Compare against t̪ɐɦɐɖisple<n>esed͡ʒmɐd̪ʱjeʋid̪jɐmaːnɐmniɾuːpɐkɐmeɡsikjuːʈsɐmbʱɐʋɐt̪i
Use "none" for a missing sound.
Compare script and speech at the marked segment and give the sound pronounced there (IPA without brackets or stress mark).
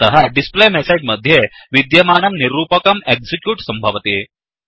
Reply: m